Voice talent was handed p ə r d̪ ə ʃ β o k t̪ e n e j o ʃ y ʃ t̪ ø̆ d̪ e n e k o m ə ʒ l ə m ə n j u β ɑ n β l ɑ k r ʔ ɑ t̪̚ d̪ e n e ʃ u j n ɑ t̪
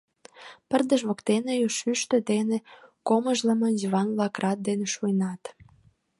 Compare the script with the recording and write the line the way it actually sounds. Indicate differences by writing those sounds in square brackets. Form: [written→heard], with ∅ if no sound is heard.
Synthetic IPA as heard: p ə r d̪ ə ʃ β o k t̪ e n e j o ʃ y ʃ t̪ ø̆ d̪ e n e k o m ə ʒ l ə m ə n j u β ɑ n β l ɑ k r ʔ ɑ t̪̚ d̪ e n e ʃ u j n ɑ t̪